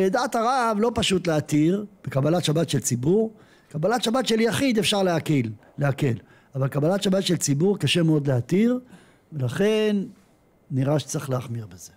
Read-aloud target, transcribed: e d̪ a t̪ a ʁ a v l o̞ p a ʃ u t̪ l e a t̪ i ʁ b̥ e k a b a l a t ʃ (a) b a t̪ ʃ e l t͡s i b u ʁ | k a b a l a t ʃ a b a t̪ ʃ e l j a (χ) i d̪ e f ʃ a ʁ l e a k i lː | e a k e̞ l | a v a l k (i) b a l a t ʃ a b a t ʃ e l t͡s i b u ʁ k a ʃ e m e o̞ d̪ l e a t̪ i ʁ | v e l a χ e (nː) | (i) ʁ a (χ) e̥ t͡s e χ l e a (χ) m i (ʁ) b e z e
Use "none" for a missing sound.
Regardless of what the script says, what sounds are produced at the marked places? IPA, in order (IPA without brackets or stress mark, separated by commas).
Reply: a, χ, a, nː, i, ʃ, χ, ʁ